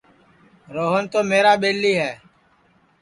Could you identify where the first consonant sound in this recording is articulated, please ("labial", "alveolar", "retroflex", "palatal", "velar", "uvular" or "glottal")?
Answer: alveolar